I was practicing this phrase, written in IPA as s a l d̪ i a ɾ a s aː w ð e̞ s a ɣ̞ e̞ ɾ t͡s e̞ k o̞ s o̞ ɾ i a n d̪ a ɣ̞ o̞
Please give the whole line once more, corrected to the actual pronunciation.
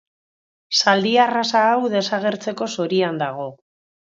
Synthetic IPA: s a l d̪ i a r a s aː w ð e̞ s a ɣ̞ e̞ ɾ t͡s e̞ k o̞ s o̞ ɾ i a n d̪ a ɣ̞ o̞